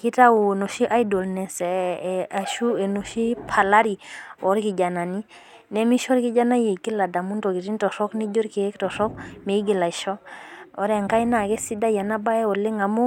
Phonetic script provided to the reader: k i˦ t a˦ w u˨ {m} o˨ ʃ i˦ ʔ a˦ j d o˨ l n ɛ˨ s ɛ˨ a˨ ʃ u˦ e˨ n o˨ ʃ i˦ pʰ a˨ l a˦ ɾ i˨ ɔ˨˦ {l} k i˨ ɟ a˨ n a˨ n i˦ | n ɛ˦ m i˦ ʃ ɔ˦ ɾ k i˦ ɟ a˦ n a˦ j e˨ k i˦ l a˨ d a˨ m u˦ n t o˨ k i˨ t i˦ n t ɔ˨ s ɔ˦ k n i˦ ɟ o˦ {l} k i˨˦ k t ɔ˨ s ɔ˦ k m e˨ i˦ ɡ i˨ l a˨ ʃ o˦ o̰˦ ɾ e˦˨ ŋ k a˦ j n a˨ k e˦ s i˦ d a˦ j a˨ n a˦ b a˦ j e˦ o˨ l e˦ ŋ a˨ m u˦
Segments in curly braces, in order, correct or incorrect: incorrect: n, incorrect: ɾ, incorrect: ɾ

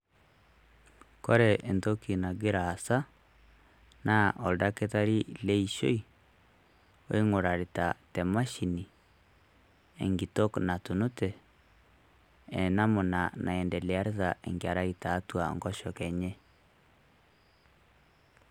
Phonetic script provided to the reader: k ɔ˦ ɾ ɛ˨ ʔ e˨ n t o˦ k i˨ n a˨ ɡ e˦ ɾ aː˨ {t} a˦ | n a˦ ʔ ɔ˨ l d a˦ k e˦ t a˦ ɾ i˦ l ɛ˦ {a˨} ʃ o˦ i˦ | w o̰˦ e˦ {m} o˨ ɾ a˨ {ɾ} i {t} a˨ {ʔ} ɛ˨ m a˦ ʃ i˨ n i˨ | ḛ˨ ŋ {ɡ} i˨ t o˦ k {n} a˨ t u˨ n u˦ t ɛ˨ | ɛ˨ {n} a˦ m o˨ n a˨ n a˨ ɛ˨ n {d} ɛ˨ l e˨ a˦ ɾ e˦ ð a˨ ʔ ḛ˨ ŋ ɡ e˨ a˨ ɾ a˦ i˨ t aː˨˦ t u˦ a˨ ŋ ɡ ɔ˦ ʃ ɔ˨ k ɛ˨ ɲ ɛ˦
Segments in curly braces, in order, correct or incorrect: incorrect: s, incorrect: i˨, incorrect: ŋ, correct, correct, incorrect: t, correct, correct, correct, correct

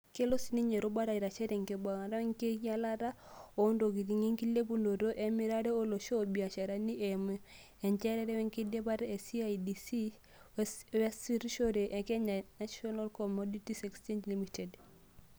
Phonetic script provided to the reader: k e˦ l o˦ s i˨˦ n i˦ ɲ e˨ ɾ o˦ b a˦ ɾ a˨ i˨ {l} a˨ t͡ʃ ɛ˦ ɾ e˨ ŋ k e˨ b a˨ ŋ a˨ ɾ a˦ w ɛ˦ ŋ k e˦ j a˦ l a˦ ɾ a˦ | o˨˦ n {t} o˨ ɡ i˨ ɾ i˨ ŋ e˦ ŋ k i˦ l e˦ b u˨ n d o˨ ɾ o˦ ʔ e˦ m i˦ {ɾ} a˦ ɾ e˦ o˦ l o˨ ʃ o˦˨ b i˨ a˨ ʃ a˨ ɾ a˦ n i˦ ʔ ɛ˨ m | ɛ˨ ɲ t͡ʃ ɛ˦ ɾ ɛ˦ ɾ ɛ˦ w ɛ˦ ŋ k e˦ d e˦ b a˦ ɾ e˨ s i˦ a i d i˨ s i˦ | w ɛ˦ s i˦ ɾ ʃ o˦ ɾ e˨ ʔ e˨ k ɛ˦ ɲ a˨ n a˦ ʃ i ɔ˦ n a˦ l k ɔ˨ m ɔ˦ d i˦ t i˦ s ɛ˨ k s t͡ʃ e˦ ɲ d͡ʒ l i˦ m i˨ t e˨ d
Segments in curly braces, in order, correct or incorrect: incorrect: ɾ, incorrect: d, correct

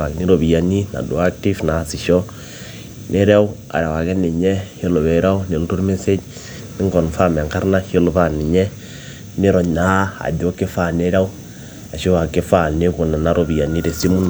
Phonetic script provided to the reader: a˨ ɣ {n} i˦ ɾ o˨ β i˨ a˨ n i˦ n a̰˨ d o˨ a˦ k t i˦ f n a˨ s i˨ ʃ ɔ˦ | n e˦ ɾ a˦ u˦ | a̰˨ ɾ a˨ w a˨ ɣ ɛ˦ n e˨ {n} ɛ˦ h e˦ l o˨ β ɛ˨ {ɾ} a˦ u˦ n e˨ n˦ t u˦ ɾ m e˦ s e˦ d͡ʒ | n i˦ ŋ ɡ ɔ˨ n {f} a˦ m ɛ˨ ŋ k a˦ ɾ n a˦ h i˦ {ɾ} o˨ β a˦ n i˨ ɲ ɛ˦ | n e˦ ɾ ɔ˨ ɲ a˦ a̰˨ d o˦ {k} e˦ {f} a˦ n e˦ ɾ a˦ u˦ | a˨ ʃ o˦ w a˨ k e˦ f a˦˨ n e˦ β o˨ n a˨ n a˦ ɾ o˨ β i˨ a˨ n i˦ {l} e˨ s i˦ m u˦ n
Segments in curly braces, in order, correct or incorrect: correct, incorrect: ɲ, correct, correct, incorrect: l, correct, correct, incorrect: ɾ

